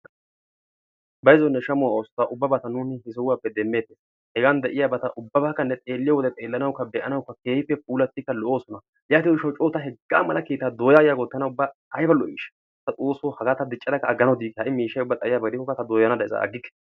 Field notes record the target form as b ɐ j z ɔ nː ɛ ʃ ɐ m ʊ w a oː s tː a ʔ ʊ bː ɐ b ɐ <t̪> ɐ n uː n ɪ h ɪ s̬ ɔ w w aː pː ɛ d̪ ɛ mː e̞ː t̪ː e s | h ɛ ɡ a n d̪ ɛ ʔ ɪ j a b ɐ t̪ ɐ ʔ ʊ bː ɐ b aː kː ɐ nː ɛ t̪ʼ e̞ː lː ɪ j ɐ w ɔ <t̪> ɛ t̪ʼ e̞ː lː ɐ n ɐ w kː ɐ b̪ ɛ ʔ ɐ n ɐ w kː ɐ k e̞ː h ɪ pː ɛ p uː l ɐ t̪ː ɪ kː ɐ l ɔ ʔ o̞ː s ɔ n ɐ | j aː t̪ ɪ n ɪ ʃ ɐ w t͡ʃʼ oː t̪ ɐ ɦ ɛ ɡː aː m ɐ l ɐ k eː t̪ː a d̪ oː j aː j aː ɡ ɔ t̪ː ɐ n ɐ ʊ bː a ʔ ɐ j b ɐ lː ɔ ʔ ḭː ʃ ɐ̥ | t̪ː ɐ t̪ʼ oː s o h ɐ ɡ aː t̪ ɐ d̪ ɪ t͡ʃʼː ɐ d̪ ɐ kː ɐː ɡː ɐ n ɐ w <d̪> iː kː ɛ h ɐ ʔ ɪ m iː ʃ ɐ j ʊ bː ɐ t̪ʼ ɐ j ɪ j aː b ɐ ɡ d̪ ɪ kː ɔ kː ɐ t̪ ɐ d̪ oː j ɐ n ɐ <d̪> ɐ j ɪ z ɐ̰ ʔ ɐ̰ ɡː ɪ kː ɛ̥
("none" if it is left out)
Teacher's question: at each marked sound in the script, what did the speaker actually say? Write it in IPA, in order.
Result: t̪, d̪, d̪, d̪

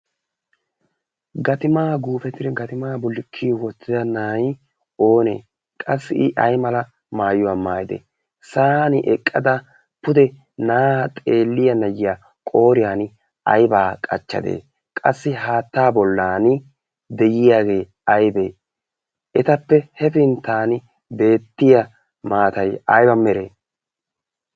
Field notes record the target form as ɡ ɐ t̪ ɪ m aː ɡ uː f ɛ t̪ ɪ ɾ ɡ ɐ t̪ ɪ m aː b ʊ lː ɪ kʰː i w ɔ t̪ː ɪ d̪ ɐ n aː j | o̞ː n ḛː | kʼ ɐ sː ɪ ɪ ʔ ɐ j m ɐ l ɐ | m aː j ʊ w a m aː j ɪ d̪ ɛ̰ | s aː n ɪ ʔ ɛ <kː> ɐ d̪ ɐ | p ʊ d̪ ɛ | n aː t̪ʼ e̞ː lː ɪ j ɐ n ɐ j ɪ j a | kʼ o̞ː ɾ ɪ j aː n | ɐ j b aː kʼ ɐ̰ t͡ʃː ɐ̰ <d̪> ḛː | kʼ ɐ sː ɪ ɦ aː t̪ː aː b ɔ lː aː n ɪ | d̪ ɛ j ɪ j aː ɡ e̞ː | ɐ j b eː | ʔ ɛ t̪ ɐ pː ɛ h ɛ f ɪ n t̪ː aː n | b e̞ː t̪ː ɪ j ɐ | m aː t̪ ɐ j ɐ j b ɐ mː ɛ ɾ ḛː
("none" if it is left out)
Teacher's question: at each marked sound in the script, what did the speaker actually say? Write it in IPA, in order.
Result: kʼː, d̪

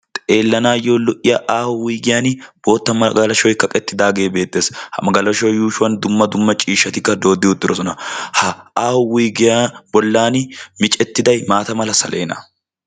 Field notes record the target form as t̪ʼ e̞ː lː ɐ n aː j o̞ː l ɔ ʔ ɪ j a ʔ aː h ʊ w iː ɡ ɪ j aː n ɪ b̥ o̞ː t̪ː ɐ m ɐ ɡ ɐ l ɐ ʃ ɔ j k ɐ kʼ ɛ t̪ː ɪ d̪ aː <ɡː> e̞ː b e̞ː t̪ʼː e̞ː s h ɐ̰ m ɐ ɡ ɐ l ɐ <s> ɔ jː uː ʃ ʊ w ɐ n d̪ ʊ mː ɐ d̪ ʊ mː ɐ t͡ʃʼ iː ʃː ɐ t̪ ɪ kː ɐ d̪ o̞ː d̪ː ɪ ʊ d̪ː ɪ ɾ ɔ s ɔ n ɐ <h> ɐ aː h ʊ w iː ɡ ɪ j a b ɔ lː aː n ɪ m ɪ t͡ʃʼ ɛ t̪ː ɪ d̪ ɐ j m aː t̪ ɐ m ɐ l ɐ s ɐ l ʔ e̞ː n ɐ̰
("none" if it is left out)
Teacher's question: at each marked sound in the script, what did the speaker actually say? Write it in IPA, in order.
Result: ɡ, ʃ, h

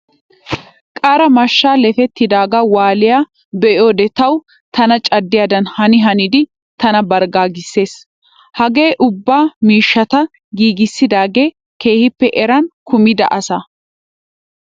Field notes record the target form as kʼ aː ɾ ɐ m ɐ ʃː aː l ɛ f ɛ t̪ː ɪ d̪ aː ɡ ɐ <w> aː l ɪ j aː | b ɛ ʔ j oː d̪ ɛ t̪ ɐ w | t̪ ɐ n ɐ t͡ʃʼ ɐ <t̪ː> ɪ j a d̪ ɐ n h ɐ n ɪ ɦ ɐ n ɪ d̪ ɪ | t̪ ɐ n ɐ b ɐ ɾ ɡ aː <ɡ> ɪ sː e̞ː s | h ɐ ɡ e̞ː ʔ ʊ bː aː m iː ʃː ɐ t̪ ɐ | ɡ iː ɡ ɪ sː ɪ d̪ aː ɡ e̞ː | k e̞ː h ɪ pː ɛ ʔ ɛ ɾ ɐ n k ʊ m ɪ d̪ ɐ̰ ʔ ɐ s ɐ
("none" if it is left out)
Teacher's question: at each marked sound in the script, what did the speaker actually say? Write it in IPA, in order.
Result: w, d̪ː, ɡ

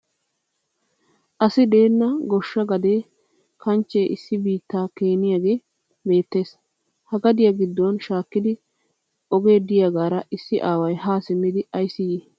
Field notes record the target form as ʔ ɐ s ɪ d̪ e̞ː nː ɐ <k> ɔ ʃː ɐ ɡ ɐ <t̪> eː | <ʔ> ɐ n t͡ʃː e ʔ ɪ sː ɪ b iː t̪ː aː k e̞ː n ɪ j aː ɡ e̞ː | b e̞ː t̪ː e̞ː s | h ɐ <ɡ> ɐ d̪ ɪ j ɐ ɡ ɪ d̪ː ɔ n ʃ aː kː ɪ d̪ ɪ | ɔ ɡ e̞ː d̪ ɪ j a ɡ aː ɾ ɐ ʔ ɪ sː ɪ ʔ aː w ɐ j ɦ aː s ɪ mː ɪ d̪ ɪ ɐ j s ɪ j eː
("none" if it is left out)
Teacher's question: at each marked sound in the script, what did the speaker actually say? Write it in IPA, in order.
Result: ɡ, d̪, k, ɡ

